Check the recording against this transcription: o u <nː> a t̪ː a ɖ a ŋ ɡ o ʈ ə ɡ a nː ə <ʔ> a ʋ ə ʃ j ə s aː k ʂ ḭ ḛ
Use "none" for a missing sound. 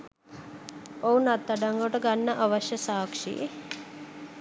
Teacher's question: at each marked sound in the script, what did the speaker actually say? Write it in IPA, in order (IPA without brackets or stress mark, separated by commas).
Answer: n, ʔ